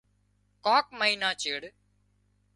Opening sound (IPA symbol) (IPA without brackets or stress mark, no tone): k